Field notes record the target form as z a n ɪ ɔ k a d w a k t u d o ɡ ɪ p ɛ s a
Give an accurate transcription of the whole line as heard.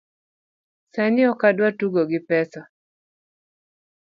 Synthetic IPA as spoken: s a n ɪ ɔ k a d w a t u ɡ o ɡ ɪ p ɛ s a

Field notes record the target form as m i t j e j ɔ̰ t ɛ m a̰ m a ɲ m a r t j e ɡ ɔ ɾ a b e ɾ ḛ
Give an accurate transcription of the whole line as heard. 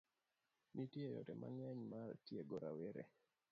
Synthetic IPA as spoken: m i t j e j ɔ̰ t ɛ m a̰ ŋ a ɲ m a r t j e ɡ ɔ ɾ a w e ɾ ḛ

